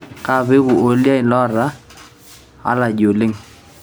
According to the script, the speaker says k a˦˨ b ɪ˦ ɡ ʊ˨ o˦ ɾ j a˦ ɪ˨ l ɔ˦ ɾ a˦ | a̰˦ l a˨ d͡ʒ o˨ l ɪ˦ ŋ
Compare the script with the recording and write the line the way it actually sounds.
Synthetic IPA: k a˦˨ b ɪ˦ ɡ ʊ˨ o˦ l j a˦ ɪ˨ l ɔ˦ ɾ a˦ | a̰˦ l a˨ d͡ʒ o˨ l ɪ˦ ŋ